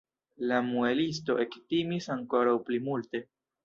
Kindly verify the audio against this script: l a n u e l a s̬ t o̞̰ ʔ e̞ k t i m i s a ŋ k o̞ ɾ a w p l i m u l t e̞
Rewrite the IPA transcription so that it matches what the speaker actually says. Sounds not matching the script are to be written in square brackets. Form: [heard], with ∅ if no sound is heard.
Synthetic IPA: l a [m] u e l [i] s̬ t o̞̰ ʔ e̞ k t i m i s a ŋ k o̞ ɾ a w p l i m u l t e̞